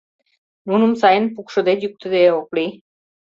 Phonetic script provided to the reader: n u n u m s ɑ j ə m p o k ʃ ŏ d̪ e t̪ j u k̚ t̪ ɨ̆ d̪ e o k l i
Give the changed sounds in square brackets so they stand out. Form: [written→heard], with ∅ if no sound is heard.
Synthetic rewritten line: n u n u m s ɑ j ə [m→n] p [o→u] k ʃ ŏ d̪ e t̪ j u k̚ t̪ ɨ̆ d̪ e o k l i